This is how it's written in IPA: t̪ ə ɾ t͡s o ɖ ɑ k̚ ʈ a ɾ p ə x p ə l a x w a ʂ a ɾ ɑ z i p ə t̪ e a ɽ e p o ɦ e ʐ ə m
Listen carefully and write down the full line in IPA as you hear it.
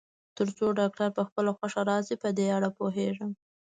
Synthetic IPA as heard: t̪ ə ɾ t͡s o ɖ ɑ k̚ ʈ a ɾ p ə x p ə l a x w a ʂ a ɾ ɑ z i p ə d̪ e a ɽ a p o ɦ e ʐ ə m